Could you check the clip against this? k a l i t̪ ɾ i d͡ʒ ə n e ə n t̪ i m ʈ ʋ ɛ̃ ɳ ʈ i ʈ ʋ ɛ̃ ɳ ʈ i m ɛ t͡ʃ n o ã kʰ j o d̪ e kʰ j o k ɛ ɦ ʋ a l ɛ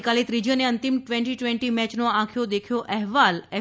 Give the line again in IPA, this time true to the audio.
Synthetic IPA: k a l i t̪ ɾ i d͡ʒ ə n e ə n t̪ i m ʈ ʋ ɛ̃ ɳ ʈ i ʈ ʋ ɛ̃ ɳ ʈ i m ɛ t͡ʃ n o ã kʰ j o d̪ e kʰ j o ʔ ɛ ɦ ʋ a l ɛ